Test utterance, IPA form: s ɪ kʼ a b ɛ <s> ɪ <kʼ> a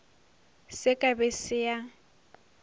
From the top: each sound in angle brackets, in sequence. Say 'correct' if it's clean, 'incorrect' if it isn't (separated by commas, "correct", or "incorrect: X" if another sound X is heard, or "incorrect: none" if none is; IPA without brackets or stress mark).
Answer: correct, incorrect: none